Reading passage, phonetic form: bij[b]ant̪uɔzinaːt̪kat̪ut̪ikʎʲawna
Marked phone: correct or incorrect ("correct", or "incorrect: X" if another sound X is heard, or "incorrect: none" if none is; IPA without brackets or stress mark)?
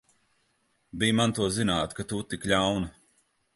incorrect: m